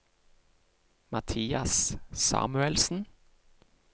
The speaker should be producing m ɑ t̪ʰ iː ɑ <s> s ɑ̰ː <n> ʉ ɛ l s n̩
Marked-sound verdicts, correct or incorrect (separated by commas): correct, incorrect